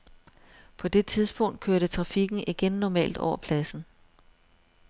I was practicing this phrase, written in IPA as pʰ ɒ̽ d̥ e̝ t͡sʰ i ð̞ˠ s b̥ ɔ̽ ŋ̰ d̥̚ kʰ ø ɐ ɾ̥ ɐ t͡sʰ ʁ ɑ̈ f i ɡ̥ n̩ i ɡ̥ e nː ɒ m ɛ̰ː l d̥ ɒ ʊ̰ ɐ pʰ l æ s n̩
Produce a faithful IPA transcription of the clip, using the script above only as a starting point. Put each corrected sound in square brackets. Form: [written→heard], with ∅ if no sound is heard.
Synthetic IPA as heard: pʰ ɒ̽ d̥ e̝ t͡sʰ i ð̞ˠ s b̥ ɔ̽ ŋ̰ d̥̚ kʰ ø ɐ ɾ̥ [ɐ→ə] t͡sʰ ʁ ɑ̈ f i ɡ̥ n̩ i ɡ̥ e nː ɒ m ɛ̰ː l d̥ ɒ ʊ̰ ɐ pʰ l æ s n̩